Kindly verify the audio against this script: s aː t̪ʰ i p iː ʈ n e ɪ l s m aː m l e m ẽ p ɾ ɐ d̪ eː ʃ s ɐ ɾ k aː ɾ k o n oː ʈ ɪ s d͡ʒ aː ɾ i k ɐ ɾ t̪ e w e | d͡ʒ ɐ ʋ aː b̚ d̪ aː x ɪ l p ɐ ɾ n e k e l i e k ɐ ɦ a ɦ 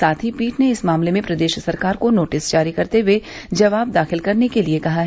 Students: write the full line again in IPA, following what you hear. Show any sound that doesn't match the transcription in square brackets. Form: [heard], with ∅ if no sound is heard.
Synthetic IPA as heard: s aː t̪ʰ i p iː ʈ n e ɪ [∅] s m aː m l e m ẽ p ɾ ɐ d̪ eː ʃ s ɐ ɾ k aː ɾ k o n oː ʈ ɪ s d͡ʒ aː ɾ i k ɐ ɾ t̪ e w e | d͡ʒ ɐ ʋ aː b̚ d̪ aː x ɪ l [k] ɐ ɾ n e k e l i e k ɐ ɦ a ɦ